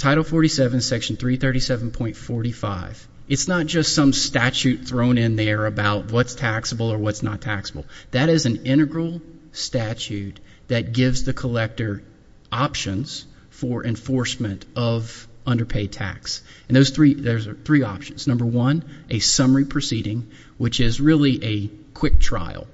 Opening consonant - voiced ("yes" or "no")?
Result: no